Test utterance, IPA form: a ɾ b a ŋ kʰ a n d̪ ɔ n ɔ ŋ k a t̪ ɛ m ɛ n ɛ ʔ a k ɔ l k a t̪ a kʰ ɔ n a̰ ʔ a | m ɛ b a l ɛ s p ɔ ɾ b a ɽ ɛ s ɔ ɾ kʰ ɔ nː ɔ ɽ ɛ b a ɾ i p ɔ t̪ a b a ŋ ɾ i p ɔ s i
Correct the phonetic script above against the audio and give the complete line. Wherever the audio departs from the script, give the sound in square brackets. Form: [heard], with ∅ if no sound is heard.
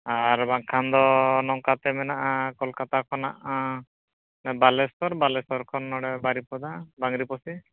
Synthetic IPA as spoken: a ɾ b a ŋ kʰ a n d̪ ɔ n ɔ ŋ k a t̪ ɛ m ɛ n [a] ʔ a k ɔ l k a t̪ a kʰ ɔ n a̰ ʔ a | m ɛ b a l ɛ s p ɔ ɾ b a [l] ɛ s ɔ ɾ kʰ ɔ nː ɔ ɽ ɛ b a ɾ i p ɔ [d̪] a b a ŋ ɾ i p ɔ s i

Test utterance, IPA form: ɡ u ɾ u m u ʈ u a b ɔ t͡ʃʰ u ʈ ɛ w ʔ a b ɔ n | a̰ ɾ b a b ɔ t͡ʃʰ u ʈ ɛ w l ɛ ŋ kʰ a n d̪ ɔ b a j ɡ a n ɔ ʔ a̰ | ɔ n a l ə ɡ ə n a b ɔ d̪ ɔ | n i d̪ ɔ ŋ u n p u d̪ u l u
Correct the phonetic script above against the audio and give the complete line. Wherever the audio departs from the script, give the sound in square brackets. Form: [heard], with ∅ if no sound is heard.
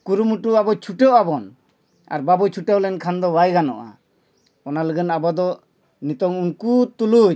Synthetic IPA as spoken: [k] u ɾ u m u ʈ u a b ɔ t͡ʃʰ u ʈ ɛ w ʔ a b ɔ n | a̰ ɾ b a b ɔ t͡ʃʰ u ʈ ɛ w l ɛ [n] kʰ a n d̪ ɔ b a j ɡ a n ɔ ʔ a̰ | ɔ n a l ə ɡ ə n a b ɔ d̪ ɔ | n i [t̪] ɔ ŋ u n [k] u [t̪] u l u

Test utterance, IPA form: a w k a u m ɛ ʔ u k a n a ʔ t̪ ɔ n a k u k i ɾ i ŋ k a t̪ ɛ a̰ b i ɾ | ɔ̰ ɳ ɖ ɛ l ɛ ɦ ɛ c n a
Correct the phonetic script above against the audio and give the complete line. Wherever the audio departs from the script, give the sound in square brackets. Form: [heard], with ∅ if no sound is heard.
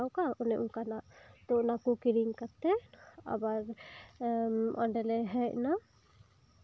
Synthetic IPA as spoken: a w k a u [n] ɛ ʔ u k a n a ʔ t̪ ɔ n a k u k i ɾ i ŋ k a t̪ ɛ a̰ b [a] ɾ | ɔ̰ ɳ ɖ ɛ l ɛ ɦ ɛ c n a

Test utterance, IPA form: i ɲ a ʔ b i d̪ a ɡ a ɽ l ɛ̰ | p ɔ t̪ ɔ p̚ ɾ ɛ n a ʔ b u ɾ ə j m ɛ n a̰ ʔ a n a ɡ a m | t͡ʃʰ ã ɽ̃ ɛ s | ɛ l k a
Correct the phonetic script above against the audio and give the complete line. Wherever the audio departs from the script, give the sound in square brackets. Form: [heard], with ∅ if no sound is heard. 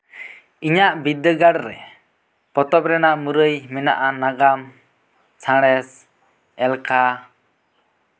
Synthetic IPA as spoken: i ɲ a ʔ b i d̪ [ə] ɡ a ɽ [ɾ] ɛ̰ | p ɔ t̪ ɔ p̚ ɾ ɛ n a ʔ [m] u ɾ ə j m ɛ n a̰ ʔ a n a ɡ a m | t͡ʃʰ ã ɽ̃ ɛ s | ɛ l k a

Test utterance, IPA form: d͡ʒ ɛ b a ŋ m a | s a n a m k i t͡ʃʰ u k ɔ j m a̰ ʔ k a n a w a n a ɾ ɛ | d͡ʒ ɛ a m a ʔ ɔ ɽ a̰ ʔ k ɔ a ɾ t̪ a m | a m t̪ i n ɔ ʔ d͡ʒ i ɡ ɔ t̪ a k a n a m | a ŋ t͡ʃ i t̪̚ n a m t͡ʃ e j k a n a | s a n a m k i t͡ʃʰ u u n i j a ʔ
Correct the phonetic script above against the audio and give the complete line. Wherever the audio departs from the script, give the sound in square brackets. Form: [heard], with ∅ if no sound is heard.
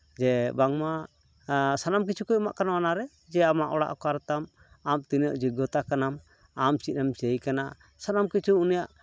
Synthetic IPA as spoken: d͡ʒ ɛ b a ŋ m a | s a n a m k i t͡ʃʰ u k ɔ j m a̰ ʔ k a n a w a n a ɾ ɛ | d͡ʒ ɛ a m a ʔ ɔ ɽ a̰ ʔ k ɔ a ɾ t̪ a m | a m t̪ i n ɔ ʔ d͡ʒ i ɡ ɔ t̪ a k a n a m | a [m] t͡ʃ i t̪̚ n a m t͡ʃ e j k a n a | s a n a m k i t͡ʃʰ u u n i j a ʔ

